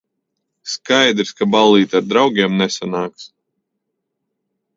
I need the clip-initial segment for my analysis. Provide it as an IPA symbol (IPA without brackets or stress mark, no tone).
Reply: s